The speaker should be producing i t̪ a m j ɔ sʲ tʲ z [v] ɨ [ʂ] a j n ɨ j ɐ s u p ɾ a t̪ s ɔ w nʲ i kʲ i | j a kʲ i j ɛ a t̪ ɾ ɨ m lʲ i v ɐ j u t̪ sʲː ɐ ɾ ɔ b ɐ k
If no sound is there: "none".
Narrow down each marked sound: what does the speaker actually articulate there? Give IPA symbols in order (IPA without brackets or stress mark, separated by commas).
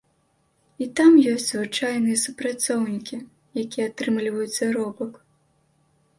v, t͡ʂ